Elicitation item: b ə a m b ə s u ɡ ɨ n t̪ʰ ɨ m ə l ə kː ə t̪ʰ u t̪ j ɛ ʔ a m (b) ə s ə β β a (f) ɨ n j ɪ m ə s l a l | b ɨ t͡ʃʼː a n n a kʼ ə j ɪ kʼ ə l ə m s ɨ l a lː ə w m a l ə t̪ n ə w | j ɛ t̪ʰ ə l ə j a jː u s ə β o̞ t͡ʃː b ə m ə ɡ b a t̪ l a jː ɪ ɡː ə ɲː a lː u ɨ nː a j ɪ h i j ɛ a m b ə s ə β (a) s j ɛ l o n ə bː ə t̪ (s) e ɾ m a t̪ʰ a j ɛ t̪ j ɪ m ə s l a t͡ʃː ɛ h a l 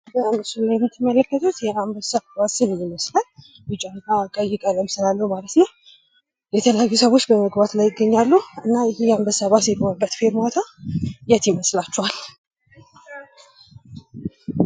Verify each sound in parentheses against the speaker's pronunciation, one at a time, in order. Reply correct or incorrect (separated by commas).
correct, incorrect, correct, incorrect